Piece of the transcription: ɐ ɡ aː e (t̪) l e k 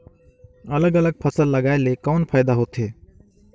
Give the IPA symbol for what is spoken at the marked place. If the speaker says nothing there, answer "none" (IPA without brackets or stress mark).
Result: none